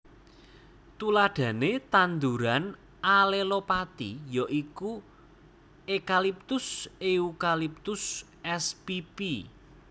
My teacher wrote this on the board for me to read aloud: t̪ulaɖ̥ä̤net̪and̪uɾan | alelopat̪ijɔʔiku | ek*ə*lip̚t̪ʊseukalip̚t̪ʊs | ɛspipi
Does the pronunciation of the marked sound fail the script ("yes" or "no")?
yes